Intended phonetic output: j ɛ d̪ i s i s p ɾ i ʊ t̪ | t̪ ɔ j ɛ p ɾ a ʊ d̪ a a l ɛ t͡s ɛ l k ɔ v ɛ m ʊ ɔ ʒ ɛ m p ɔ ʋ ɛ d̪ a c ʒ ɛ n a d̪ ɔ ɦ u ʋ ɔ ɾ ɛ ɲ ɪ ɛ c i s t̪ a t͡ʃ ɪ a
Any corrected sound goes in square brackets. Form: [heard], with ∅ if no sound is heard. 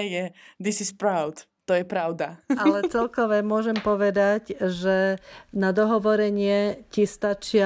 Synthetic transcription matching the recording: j ɛ d̪ i s i s p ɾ [a] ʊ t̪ | t̪ ɔ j ɛ p ɾ a ʊ d̪ a a l ɛ t͡s ɛ l k ɔ [ʋ] ɛ m ʊ ɔ ʒ ɛ m p ɔ ʋ ɛ d̪ a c ʒ ɛ n a d̪ ɔ ɦ [ɔ] ʋ ɔ ɾ ɛ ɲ ɪ ɛ c i s t̪ a t͡ʃ ɪ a